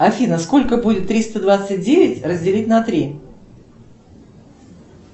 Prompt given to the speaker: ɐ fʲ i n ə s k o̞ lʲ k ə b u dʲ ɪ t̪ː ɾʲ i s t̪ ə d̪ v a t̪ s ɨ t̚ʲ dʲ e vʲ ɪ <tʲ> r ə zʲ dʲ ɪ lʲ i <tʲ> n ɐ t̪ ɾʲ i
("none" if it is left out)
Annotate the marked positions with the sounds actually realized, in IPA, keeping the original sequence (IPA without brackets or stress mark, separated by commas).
tʲ, tʲ